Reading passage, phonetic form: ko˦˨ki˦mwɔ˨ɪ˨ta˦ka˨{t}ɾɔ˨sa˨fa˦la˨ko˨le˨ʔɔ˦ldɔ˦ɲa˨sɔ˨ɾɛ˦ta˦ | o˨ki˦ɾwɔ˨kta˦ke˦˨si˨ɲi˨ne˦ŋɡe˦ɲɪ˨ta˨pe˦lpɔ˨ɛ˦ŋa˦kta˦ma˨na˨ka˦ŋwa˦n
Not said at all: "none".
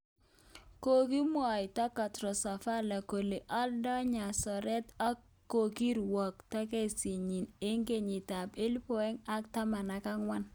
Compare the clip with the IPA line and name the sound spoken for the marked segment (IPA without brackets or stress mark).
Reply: t